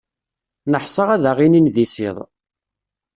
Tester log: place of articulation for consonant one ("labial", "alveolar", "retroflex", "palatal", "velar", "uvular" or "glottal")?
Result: alveolar